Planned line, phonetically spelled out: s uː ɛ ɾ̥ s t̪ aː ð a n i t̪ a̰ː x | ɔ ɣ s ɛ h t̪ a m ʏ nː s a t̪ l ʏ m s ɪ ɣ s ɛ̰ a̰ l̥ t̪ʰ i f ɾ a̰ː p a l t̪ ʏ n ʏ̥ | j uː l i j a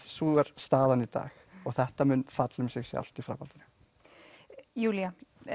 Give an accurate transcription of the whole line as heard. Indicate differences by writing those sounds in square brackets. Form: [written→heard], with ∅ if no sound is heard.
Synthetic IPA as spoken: s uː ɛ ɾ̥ s t̪ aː ð a n i t̪ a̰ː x | ɔ ɣ [s→θ] ɛ h t̪ a m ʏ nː [s→f] a t̪ l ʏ m s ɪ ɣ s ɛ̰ a̰ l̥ [t̪ʰ→t̪] i f ɾ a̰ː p a l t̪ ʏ n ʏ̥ | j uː l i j a